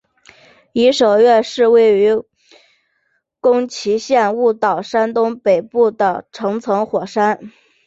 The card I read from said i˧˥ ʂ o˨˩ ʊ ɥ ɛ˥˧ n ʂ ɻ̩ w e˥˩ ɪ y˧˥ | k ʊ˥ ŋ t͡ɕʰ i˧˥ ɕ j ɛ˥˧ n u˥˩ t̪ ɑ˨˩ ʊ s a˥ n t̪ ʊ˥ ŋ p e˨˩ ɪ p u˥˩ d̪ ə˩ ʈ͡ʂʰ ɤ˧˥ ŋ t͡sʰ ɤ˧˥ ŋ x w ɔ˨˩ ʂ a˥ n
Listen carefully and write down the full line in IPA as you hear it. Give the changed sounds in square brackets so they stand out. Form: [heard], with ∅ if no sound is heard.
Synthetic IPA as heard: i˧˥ ʂ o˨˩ ʊ ɥ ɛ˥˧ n ʂ ɻ̩ w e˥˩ ɪ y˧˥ | k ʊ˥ ŋ t͡ɕʰ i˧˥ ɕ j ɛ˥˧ n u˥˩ t̪ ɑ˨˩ ʊ [ʂ] a˥ n t̪ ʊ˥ ŋ p e˨˩ ɪ p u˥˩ d̪ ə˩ ʈ͡ʂʰ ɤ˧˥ ŋ t͡sʰ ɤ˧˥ ŋ x w ɔ˨˩ ʂ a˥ n